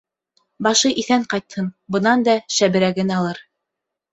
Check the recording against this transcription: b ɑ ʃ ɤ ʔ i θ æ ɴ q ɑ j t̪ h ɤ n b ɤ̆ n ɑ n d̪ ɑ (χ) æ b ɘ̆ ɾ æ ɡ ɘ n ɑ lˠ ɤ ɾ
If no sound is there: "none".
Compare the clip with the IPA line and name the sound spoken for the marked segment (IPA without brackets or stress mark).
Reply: ʃ